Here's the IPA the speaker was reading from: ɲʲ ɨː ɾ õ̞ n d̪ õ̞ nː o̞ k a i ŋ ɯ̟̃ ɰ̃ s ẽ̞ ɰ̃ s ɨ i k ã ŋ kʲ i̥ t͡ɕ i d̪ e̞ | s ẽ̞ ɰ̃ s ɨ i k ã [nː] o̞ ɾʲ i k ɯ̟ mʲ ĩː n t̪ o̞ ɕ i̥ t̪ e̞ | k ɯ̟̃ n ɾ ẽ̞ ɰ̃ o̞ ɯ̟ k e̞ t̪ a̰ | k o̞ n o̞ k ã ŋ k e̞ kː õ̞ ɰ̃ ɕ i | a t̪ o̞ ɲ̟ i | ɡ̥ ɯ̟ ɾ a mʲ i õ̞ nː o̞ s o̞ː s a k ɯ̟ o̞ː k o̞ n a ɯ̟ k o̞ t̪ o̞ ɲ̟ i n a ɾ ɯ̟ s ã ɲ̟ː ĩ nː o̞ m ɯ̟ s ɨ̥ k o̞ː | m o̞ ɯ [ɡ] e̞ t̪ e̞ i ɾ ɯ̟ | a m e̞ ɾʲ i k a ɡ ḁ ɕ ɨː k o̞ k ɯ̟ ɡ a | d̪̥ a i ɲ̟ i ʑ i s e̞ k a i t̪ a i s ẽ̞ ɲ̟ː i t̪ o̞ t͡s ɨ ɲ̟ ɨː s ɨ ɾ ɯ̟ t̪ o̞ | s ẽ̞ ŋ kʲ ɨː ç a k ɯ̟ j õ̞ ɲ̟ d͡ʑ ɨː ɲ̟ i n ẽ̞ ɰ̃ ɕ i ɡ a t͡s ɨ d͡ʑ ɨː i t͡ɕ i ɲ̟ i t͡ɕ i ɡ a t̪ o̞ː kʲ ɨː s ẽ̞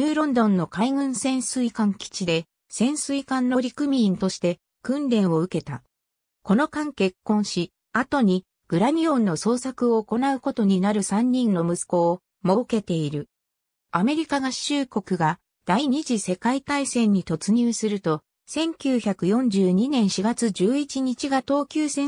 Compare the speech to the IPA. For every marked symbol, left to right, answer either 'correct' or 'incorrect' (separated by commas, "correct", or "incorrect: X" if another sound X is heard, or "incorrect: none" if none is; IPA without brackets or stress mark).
correct, incorrect: k